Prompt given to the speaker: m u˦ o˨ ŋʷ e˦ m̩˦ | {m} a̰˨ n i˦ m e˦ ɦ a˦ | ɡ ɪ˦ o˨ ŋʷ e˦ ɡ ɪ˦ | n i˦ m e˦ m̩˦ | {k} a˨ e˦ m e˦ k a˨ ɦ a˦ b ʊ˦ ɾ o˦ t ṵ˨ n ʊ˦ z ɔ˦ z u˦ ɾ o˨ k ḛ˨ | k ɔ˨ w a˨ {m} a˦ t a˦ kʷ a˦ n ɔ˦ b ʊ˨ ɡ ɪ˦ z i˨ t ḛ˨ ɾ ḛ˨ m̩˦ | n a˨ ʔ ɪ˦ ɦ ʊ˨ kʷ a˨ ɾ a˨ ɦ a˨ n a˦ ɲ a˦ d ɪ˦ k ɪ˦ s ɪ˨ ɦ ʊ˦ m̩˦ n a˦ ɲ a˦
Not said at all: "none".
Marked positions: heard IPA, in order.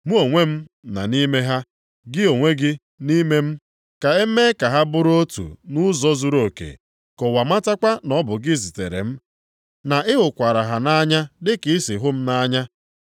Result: n, k, m

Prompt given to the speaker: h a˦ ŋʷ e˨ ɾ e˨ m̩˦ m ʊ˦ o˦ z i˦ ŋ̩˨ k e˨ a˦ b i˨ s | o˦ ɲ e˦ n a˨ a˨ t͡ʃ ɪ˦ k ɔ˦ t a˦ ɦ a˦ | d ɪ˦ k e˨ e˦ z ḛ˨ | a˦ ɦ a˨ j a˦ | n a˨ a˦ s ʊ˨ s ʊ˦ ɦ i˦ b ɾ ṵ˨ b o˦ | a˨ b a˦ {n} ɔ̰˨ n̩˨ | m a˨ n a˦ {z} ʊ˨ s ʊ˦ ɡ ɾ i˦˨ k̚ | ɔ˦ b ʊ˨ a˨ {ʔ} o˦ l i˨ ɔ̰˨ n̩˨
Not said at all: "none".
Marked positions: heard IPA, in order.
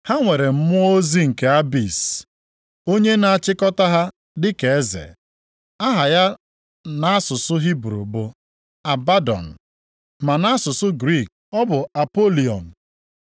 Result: d, s, p

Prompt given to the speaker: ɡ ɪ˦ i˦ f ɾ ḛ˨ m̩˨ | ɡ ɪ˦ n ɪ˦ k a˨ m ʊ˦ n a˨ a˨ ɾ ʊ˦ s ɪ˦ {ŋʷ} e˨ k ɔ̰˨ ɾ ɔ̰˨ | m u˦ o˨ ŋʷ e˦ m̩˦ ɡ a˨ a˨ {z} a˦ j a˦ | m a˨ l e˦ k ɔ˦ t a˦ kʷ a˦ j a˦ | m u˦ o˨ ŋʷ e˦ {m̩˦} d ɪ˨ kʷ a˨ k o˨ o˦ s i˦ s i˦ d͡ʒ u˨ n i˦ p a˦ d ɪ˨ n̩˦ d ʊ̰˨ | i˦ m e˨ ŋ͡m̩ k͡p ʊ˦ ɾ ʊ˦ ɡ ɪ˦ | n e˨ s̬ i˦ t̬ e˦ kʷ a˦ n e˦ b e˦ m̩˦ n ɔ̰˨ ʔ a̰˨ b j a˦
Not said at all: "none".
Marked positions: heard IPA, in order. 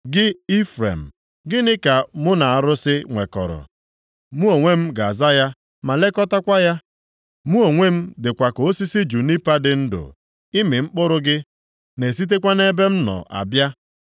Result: ŋʷ, z, m̩˦

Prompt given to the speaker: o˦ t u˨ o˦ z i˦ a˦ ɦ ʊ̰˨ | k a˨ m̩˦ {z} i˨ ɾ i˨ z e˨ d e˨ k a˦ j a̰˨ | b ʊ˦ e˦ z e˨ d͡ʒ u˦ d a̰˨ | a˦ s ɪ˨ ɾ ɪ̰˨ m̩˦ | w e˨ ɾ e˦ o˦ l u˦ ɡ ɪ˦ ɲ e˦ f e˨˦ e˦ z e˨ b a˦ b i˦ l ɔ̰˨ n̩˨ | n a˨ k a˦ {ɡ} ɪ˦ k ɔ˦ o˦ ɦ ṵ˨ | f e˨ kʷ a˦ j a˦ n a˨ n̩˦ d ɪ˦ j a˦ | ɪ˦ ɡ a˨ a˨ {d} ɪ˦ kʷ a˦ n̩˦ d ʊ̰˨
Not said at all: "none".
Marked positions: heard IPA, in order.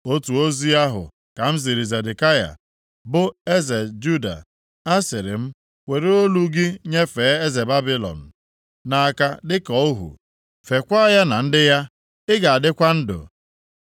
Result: z, d, d

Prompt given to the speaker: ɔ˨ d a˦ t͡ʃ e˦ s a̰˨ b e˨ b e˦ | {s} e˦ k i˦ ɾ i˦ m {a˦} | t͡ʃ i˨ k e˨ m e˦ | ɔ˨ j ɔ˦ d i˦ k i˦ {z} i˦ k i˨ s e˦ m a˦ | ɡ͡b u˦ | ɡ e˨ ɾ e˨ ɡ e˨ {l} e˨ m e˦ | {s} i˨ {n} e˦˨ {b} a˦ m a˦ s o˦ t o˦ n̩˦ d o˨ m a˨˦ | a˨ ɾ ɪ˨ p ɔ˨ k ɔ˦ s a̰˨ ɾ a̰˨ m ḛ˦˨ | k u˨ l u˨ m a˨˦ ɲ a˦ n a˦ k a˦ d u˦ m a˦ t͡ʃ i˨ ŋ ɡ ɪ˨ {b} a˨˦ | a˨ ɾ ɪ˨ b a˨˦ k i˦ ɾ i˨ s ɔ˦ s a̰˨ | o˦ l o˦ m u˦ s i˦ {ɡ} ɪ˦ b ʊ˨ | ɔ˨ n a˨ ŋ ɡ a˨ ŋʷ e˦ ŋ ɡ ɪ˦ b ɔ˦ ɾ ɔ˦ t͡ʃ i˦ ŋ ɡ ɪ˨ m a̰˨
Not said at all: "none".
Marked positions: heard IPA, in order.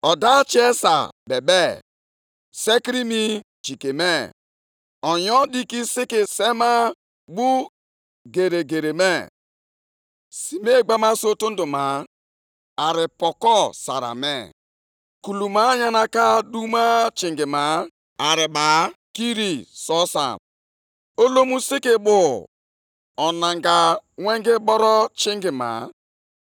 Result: s, i˦, s, ɾ, s, m, ɡ͡b, m, k

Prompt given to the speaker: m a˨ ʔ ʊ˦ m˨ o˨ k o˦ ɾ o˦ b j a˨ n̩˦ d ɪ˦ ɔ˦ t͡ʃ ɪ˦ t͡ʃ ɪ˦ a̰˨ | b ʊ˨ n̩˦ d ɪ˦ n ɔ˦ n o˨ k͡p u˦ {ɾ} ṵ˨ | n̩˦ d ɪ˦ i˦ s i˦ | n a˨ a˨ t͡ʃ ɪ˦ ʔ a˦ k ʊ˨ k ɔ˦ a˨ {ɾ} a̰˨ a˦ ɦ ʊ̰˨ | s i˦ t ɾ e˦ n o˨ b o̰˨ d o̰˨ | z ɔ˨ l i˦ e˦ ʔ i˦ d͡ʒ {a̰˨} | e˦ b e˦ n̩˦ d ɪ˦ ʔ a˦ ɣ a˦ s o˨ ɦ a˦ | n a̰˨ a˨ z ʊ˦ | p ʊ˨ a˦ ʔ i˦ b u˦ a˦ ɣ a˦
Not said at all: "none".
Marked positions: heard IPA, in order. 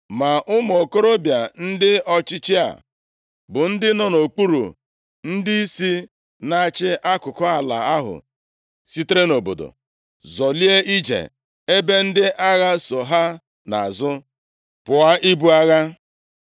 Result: ɾ, l, ḛ˨

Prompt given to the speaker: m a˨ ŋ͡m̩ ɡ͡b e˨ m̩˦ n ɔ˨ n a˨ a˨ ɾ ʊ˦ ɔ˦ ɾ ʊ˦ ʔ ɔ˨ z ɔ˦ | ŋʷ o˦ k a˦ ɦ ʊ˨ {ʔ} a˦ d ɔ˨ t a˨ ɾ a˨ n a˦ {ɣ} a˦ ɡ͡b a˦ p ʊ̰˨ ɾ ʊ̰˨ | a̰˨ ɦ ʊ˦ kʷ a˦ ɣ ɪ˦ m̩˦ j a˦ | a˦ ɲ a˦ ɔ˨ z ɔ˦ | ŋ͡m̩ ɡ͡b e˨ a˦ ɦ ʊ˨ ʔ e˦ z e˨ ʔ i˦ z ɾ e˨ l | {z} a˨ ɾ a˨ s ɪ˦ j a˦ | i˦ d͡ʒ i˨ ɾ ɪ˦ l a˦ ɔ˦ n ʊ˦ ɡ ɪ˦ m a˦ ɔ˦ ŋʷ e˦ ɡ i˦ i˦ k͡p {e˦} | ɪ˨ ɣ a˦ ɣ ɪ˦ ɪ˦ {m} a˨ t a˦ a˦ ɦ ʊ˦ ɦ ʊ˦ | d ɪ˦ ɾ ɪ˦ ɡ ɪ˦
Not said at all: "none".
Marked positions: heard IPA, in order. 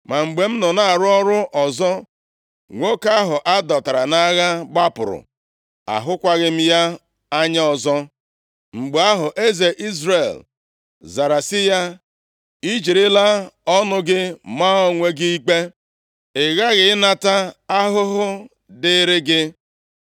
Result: ʔ, ɣ, z, e˦, n

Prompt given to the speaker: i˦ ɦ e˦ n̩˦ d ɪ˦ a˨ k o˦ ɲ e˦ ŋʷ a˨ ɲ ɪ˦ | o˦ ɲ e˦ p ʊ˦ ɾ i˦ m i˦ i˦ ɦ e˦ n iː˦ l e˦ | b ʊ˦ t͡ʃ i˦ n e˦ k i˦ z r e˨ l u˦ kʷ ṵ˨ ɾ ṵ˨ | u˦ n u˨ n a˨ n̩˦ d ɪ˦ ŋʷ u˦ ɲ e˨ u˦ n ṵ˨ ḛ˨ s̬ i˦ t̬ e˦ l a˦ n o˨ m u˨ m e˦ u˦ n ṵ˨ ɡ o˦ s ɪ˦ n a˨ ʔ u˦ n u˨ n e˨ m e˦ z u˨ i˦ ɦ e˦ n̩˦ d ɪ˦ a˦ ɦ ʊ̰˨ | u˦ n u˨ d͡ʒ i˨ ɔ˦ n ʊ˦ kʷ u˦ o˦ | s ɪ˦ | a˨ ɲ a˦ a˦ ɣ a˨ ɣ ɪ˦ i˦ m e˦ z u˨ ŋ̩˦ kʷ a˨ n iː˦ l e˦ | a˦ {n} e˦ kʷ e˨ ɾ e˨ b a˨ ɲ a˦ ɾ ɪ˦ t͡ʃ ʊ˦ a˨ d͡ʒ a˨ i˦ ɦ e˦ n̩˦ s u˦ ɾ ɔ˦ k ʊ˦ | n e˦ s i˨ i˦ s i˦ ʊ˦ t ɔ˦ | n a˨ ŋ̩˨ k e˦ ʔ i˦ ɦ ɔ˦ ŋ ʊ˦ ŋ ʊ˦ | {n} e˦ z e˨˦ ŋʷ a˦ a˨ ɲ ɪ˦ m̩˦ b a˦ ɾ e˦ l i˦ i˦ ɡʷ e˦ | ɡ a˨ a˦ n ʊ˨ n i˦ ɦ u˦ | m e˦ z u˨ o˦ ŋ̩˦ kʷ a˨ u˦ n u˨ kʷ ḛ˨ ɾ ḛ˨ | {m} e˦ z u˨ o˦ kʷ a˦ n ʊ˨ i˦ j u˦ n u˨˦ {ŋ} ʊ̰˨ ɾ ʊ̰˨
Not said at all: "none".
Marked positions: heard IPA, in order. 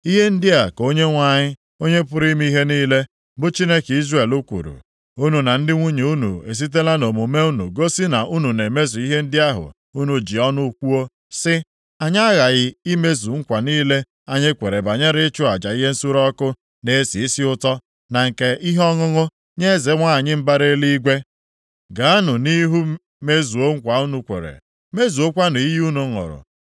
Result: ɲ, ɲ, m, ŋ

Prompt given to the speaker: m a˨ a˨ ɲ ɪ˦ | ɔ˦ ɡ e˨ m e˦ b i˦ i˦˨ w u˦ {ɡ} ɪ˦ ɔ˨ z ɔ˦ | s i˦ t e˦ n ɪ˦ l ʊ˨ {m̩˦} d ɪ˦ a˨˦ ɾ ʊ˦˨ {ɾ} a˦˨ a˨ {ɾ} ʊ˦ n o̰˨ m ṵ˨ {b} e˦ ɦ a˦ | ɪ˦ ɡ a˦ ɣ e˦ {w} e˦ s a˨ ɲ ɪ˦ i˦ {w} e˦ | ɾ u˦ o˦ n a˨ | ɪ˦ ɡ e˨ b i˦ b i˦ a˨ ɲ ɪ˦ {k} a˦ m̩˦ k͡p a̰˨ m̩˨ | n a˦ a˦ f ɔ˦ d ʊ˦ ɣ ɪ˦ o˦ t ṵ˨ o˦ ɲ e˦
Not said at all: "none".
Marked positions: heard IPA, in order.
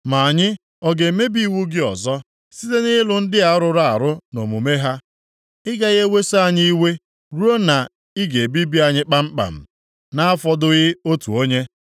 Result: ɡ, n̩˦, ɾ, ɾ, m, w, w, k͡p

